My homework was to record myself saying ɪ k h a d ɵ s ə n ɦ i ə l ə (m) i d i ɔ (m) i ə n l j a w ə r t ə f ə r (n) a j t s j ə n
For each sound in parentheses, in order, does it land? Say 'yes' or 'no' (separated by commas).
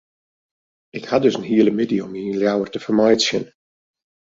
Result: yes, yes, no